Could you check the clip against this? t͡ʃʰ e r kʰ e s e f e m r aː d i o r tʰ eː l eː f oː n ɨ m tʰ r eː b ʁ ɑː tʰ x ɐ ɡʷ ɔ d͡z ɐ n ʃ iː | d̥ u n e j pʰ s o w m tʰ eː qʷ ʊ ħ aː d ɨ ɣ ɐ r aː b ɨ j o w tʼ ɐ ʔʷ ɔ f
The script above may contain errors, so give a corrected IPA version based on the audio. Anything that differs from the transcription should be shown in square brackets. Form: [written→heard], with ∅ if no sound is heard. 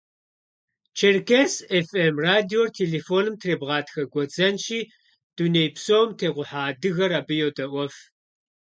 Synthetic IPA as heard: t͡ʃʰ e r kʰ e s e f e m r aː d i o r tʰ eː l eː f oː n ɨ m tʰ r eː b ʁ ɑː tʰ x ɐ ɡʷ ɔ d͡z ɐ n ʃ iː | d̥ u n e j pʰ s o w m tʰ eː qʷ ʊ ħ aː d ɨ ɣ ɐ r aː b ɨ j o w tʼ ɐ ʔʷ ɔ f